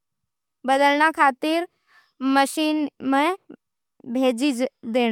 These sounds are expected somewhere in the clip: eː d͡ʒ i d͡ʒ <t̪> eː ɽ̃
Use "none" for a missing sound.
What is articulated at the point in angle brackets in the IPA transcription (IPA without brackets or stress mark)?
d̪